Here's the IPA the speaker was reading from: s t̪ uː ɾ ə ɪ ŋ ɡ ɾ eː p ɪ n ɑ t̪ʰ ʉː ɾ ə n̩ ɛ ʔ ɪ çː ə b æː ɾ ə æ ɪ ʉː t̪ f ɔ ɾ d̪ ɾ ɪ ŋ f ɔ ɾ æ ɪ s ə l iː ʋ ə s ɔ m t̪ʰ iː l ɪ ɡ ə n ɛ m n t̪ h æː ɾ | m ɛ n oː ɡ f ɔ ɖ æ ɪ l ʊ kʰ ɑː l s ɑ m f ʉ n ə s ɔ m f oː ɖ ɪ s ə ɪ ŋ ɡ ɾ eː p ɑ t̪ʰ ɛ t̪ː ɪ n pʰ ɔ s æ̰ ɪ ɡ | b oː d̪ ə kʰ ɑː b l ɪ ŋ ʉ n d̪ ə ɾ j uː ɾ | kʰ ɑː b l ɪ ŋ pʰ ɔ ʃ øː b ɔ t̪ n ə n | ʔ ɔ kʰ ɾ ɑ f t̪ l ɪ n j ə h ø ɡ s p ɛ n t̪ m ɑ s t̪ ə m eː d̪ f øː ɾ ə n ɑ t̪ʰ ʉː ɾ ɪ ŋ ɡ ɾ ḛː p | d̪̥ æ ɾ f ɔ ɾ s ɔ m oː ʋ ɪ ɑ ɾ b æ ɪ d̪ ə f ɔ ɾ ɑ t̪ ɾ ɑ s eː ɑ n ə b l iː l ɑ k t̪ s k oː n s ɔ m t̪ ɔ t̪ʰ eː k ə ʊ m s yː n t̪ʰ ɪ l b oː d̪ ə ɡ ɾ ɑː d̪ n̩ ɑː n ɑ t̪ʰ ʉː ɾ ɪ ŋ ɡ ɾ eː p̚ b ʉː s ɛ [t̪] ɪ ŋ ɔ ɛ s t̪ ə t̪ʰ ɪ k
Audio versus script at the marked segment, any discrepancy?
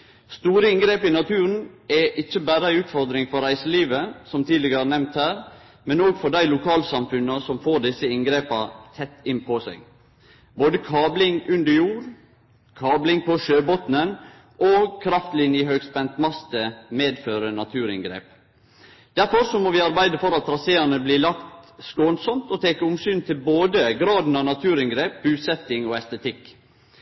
no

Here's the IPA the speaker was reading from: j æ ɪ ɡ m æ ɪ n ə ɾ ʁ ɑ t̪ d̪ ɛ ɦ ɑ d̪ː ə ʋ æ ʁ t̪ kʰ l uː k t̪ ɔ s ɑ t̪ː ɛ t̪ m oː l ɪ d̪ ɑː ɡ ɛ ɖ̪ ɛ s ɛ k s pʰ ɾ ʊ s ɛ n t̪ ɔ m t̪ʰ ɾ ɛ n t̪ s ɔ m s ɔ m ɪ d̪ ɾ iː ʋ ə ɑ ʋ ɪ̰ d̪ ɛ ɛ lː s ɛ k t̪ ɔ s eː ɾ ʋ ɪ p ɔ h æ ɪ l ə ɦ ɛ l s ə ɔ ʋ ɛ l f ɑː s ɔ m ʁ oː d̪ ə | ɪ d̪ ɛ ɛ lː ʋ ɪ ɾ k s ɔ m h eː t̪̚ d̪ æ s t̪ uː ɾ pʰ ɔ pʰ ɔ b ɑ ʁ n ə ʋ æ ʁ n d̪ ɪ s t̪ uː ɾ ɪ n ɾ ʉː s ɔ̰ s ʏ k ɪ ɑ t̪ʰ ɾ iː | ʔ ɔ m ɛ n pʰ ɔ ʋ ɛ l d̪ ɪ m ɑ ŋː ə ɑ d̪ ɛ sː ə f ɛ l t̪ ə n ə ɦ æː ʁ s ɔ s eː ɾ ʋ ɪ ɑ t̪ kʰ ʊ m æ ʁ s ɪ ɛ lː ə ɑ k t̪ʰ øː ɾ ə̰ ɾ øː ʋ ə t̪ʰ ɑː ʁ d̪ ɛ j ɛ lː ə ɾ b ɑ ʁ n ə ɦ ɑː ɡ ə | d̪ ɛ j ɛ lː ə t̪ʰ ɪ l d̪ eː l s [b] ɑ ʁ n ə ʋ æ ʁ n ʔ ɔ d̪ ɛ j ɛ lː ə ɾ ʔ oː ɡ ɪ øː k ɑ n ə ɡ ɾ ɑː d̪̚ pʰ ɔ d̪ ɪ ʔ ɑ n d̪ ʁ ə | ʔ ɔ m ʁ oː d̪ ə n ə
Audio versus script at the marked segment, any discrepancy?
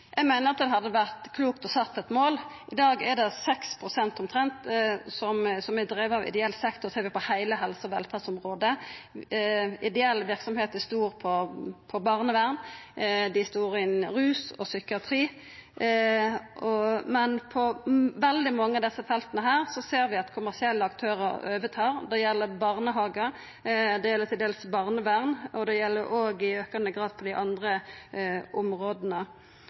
no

